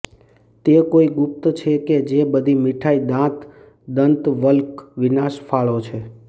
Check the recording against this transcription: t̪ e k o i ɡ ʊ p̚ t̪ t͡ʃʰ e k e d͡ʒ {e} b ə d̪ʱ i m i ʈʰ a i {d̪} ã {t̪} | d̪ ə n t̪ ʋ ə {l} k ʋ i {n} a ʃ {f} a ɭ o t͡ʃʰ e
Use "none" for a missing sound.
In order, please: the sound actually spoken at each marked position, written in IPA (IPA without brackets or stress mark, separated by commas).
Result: e, d̪, t̪, l, n, f